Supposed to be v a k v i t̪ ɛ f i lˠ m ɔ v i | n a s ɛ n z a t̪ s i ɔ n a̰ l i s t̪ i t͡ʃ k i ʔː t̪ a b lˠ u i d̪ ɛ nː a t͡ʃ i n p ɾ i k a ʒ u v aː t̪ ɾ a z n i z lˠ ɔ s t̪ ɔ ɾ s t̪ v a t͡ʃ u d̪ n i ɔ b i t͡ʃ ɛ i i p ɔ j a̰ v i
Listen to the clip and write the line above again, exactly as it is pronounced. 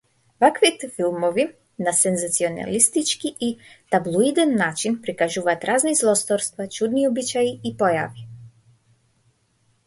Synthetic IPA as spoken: v a k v i t̪ ɛ f i lˠ m ɔ v i | n a s ɛ n z a t̪ s i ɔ n a̰ l i s t̪ i t͡ʃ k i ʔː t̪ a b lˠ u i d̪ ɛ nː a t͡ʃ i n p ɾ i k a ʒ u v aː t̪ ɾ a z n i z lˠ ɔ s t̪ ɔ ɾ s t̪ v a t͡ʃ u d̪ n i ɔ b i t͡ʃ a i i p ɔ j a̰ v i

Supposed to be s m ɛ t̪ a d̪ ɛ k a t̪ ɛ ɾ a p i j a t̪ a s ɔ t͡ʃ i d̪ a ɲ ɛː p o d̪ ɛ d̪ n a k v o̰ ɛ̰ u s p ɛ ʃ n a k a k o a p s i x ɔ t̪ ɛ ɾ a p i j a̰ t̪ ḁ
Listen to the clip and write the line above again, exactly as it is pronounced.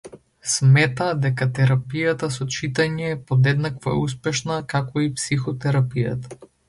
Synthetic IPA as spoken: s m ɛ t̪ a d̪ ɛ k a t̪ ɛ ɾ a p i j a t̪ a s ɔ t͡ʃ i t̪ a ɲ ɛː p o d̪ ɛ d̪ n a k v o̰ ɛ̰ u s p ɛ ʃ n a k a k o i p s i x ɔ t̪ ɛ ɾ a p i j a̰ t̪ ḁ

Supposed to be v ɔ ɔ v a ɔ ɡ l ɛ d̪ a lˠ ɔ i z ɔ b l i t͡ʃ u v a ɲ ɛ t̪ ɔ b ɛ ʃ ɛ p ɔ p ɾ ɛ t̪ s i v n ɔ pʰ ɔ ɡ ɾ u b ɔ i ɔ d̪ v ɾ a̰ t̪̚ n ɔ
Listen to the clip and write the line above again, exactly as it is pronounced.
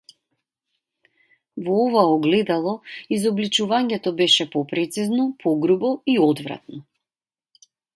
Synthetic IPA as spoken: v ɔ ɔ v a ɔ ɡ l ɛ d̪ a lˠ ɔ i z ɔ b l i t͡ʃ u v a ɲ ɛ t̪ ɔ b ɛ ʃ ɛ p ɔ p ɾ ɛ t̪ s i z n ɔ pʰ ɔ ɡ ɾ u b ɔ i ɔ d̪ v ɾ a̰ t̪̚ n ɔ

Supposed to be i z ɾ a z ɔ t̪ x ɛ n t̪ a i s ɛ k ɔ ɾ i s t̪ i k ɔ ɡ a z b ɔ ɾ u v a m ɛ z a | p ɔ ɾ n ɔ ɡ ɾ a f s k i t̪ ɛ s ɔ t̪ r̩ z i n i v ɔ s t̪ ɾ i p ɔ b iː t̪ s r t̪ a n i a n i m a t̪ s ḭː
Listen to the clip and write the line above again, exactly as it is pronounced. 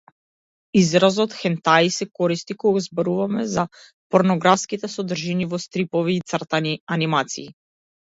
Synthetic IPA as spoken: i z ɾ a z ɔ t̪ x ɛ n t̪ a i s ɛ k ɔ ɾ i s t̪ i k ɔ ɡ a z b ɔ ɾ u v a m ɛ z a | p ɔ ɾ n ɔ ɡ ɾ a f s k i t̪ ɛ s ɔ d̪ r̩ ʒ i n i v ɔ s t̪ ɾ i p ɔ v iː t̪ s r t̪ a n i a n i m a t̪ s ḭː

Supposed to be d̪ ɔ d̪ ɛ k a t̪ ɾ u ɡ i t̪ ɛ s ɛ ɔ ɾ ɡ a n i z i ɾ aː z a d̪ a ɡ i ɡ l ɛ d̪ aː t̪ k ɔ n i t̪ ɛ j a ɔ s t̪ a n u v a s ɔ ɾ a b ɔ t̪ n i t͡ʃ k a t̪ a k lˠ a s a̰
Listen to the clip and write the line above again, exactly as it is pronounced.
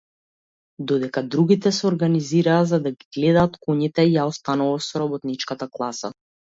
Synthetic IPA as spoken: d̪ ɔ d̪ ɛ k a d̪ ɾ u ɡ i t̪ ɛ s ɛ ɔ ɾ ɡ a n i z i ɾ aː z a d̪ a ɡ i ɡ l ɛ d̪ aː t̪ k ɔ ɲ i t̪ ɛ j a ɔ s t̪ a n u v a s ɔ ɾ a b ɔ t̪ n i t͡ʃ k a t̪ a k lˠ a s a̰

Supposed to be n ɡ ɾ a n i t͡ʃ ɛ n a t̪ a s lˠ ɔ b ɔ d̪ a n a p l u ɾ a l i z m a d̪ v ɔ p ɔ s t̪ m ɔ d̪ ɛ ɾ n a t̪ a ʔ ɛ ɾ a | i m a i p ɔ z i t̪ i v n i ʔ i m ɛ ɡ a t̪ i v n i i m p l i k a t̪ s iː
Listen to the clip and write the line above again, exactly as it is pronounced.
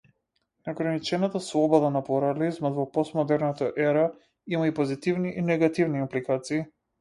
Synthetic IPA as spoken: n ɡ ɾ a n i t͡ʃ ɛ n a t̪ a s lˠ ɔ b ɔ d̪ a n a p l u ɾ a l i z m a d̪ v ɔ p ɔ s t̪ m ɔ d̪ ɛ ɾ n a t̪ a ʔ ɛ ɾ a | i m a i p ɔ z i t̪ i v n i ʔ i n ɛ ɡ a t̪ i v n i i m p l i k a t̪ s iː

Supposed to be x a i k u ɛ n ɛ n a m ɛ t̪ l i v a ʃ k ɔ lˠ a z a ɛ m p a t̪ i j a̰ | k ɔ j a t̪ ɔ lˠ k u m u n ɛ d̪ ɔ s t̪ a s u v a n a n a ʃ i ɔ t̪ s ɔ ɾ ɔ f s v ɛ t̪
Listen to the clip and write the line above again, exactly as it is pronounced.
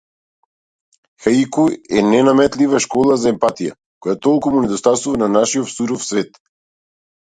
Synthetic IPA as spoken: x a i k u ɛ n ɛ n a m ɛ t̪ l i v a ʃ k ɔ lˠ a z a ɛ m p a t̪ i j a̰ | k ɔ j a t̪ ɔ lˠ k u m u n ɛ d̪ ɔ s t̪ a s u v a n a n a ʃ i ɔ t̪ s u ɾ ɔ f s v ɛ t̪

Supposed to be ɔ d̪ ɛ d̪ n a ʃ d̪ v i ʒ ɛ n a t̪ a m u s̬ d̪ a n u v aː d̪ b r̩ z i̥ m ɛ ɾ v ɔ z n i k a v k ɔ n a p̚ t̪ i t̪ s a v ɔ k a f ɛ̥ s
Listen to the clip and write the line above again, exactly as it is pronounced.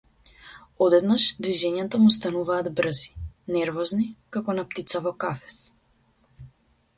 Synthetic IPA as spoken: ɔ d̪ ɛ d̪ n a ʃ d̪ v i ʒ ɛ ɲ a t̪ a m u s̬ t̪ a n u v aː d̪ b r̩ z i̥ n ɛ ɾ v ɔ z n i k a k ɔ n a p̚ t̪ i t̪ s a v ɔ k a f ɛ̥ s

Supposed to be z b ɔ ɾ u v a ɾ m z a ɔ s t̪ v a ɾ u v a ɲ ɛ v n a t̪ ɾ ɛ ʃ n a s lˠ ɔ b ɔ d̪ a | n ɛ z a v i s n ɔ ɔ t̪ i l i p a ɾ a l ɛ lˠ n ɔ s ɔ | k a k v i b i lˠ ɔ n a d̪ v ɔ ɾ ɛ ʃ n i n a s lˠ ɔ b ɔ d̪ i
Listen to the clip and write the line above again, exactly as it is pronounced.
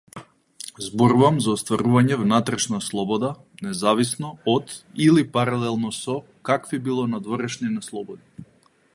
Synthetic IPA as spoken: z b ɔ ɾ u v a m z a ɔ s t̪ v a ɾ u v a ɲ ɛ v n a t̪ ɾ ɛ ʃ n a s lˠ ɔ b ɔ d̪ a | n ɛ z a v i s n ɔ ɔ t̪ i l i p a ɾ a l ɛ lˠ n ɔ s ɔ | k a k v i b i lˠ ɔ n a d̪ v ɔ ɾ ɛ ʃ n i n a s lˠ ɔ b ɔ d̪ i

